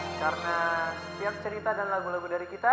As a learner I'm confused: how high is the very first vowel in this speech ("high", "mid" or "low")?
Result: low